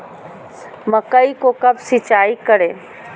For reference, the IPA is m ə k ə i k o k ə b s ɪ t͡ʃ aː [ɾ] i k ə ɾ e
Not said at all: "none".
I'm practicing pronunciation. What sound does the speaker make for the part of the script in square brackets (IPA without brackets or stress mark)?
none